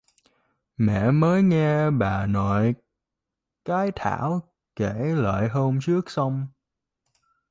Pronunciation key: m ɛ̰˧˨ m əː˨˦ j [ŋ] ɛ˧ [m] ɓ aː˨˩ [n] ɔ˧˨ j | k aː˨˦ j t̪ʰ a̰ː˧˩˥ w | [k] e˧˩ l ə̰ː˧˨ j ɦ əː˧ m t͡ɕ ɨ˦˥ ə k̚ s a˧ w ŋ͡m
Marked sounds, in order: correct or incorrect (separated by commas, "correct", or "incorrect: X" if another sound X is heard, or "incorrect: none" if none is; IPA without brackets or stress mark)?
correct, incorrect: none, correct, correct